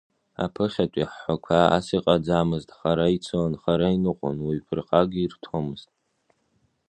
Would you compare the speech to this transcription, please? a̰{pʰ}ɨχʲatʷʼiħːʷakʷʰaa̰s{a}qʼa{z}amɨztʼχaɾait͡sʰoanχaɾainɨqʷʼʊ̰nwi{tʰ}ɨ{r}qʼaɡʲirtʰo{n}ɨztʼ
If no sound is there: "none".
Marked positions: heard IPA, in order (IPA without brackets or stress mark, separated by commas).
pʰ, i, d͡z, pʰ, r, m